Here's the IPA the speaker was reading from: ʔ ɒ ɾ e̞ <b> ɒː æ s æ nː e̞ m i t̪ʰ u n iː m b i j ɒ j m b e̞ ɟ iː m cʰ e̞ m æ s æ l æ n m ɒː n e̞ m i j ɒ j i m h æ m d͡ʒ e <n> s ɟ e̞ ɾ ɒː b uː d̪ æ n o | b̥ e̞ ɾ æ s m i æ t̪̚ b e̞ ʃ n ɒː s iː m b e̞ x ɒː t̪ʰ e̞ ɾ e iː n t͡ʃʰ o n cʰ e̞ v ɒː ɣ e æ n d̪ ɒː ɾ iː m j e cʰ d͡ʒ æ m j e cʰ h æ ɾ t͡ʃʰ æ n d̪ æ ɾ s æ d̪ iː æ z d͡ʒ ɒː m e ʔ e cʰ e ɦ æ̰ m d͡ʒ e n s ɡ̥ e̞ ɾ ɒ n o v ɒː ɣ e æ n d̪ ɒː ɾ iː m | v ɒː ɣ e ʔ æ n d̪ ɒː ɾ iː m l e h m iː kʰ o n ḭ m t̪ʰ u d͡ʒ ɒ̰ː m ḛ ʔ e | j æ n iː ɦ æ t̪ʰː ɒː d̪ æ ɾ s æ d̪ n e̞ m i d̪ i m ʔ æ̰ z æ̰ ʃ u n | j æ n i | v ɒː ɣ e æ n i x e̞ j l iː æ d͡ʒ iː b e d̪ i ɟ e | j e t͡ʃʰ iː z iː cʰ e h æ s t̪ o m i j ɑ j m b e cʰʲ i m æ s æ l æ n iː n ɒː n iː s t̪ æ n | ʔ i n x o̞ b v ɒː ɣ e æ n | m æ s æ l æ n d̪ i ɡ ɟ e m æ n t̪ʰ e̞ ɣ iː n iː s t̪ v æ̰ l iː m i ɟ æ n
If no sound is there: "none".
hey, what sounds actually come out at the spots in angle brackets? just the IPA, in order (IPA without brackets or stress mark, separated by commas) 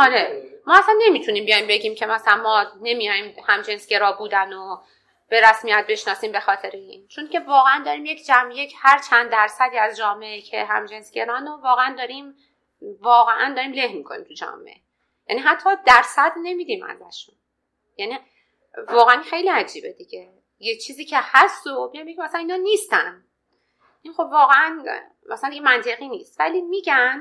m, n